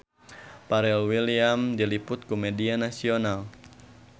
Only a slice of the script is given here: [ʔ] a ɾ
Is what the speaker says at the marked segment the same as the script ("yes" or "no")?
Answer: no